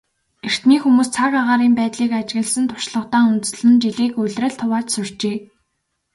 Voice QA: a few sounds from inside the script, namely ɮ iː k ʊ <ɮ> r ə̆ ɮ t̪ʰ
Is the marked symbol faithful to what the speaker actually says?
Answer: yes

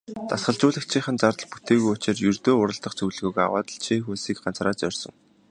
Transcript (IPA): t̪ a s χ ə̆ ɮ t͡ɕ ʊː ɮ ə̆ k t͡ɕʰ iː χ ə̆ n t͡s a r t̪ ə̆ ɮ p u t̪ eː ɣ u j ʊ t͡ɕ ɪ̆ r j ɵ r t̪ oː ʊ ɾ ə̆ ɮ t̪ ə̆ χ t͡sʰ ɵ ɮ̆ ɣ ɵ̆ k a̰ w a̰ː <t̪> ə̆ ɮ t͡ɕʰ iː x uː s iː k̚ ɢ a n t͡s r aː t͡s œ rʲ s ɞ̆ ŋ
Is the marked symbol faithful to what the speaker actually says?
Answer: yes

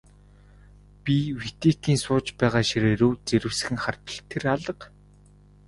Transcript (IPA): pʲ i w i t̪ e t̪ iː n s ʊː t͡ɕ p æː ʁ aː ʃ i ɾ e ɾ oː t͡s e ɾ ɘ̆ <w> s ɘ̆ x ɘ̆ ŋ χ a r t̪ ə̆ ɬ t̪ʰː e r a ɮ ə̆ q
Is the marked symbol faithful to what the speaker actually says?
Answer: yes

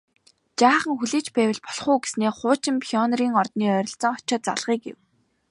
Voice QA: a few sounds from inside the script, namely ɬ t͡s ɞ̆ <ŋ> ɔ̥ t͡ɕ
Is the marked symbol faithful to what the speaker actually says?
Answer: yes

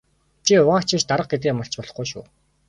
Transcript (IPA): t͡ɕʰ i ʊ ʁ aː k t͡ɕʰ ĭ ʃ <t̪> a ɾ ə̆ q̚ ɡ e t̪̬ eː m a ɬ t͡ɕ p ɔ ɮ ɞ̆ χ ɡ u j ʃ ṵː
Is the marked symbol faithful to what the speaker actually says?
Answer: yes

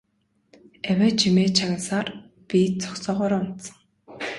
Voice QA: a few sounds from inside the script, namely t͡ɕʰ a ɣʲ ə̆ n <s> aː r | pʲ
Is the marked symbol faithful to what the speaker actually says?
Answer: yes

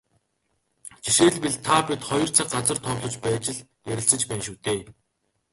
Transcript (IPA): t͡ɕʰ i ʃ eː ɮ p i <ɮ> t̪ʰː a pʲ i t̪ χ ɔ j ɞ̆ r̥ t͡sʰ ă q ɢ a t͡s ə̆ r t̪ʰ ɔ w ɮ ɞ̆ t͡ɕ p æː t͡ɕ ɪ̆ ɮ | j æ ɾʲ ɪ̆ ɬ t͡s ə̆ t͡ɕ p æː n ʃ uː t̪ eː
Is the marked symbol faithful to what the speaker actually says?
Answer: yes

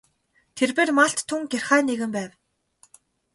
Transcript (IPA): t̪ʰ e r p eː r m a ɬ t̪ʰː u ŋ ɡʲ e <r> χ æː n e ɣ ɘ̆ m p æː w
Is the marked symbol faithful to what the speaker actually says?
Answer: yes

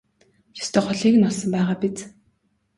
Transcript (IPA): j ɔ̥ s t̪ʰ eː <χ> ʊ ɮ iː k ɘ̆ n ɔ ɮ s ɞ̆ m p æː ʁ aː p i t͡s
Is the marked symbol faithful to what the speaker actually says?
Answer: yes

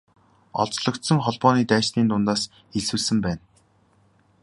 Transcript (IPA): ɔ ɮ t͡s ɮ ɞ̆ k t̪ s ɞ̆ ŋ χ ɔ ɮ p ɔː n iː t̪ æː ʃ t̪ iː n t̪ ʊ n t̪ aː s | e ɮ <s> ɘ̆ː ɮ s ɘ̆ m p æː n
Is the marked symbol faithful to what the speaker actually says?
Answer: yes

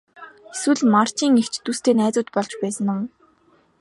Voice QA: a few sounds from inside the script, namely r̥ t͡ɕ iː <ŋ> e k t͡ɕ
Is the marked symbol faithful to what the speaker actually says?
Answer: yes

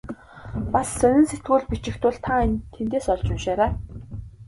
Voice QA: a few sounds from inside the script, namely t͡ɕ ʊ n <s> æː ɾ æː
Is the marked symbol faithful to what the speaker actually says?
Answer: no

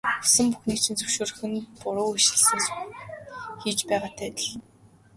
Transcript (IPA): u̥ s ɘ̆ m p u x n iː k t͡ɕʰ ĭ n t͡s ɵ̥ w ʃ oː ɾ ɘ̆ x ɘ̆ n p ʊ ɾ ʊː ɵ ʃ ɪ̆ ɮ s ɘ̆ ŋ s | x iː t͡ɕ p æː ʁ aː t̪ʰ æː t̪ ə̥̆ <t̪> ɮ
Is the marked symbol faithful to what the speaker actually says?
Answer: no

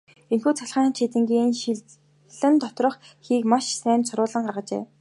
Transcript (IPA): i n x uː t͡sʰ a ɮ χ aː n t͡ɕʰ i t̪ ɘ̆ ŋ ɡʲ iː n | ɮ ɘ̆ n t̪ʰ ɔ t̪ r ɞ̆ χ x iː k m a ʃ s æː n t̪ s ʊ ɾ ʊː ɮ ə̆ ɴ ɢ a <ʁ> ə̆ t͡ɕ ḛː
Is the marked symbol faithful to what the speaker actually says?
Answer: yes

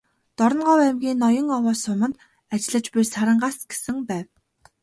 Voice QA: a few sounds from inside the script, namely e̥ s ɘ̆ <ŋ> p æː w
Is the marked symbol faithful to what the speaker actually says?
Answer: yes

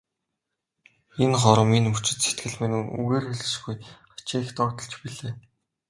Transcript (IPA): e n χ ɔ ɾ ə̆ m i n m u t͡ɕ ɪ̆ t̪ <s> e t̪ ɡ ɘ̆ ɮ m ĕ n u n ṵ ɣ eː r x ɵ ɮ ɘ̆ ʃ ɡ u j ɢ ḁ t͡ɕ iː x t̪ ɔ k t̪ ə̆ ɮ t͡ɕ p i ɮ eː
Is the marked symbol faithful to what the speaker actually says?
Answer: yes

